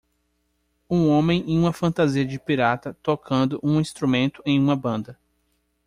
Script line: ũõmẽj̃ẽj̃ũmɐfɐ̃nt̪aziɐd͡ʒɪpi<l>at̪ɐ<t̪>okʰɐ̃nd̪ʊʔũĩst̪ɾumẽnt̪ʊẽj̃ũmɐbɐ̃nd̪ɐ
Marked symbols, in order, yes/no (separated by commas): no, yes